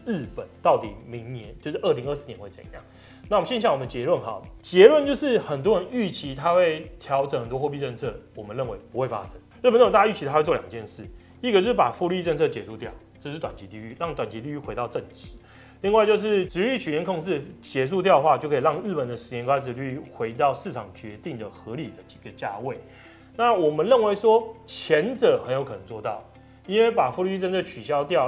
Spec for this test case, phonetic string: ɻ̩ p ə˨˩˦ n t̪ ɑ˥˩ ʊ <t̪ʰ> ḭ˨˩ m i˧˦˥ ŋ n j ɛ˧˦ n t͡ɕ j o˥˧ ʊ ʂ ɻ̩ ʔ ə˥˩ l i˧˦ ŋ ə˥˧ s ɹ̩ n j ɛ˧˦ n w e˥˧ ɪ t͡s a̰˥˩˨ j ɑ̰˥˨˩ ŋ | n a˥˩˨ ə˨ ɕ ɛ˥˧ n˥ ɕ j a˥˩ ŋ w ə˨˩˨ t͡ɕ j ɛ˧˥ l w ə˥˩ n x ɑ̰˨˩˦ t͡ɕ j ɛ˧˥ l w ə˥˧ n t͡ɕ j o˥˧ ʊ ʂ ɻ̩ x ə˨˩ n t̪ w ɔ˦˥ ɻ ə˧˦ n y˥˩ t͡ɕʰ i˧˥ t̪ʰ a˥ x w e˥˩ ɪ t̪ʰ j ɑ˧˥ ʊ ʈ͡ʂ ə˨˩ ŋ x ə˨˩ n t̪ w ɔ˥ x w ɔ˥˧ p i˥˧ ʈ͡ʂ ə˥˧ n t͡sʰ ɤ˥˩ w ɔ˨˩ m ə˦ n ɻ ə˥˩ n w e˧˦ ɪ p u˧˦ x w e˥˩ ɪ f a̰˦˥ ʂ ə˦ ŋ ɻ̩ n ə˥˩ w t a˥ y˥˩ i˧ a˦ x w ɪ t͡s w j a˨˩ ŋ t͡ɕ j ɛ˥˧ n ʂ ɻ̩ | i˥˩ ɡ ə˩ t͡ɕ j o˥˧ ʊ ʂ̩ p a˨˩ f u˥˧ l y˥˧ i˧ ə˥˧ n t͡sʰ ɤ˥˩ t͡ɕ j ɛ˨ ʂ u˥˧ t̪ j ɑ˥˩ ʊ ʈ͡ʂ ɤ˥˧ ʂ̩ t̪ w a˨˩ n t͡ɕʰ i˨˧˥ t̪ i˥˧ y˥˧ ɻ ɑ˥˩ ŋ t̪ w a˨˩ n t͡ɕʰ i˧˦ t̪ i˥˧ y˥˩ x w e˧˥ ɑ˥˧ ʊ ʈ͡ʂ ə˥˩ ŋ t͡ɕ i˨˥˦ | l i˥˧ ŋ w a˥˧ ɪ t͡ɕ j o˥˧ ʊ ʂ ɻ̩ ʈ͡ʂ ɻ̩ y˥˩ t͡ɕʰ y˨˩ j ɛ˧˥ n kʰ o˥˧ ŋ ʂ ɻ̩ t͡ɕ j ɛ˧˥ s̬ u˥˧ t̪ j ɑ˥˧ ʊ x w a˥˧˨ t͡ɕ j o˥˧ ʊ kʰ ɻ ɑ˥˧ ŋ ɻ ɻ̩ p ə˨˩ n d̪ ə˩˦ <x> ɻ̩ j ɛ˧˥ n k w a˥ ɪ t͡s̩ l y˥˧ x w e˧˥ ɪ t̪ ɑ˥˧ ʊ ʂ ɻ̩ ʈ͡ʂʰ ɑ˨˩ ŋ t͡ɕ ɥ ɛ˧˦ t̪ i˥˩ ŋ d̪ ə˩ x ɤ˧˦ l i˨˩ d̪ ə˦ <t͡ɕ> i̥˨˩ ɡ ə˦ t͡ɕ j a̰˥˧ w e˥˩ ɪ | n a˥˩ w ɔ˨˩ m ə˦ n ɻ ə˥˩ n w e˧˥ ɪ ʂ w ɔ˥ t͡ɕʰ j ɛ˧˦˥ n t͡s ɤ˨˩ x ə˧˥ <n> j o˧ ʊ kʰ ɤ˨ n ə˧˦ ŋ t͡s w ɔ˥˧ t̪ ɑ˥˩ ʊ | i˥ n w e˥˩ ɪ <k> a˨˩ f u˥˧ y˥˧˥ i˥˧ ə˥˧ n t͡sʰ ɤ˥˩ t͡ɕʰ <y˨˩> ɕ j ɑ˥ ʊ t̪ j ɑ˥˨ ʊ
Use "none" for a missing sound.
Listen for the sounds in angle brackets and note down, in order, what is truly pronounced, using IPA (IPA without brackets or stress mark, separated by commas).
t̪, ʂ, t͡ɕ, n, p, y˨˩